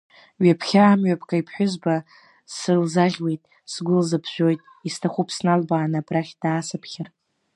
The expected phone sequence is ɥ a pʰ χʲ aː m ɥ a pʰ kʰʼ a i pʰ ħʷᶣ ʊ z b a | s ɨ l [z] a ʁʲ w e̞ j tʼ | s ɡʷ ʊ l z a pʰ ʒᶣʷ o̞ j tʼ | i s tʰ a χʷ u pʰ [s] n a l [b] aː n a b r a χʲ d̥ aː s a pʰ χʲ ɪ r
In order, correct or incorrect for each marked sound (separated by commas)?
correct, correct, correct